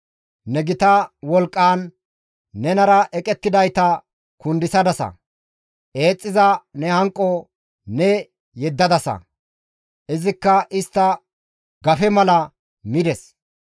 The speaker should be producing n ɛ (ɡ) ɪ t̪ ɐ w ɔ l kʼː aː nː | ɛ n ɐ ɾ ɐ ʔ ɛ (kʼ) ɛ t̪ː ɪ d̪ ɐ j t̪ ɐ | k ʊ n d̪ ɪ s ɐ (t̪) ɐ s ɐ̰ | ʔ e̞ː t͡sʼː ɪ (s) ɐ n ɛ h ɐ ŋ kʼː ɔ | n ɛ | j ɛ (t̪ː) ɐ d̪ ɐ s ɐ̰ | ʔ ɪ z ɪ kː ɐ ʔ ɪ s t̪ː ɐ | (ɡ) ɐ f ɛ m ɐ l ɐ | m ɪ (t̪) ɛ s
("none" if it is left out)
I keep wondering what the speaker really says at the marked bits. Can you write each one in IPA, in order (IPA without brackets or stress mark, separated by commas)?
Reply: ɡ, kʼ, d̪, z, d̪ː, ɡ, d̪